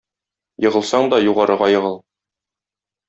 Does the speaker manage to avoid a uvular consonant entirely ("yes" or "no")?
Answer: no